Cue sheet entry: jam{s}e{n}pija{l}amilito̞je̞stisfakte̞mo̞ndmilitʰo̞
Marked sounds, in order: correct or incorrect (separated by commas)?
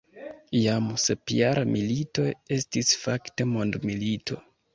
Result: correct, incorrect, incorrect